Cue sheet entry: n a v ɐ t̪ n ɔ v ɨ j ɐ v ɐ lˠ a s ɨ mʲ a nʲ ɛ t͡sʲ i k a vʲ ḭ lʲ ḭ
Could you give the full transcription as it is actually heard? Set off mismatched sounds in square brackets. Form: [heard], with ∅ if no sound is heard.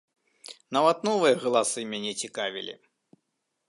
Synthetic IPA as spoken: n a v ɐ t̪ n ɔ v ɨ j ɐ [ɣ] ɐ lˠ a s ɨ mʲ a nʲ ɛ t͡sʲ i k a vʲ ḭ lʲ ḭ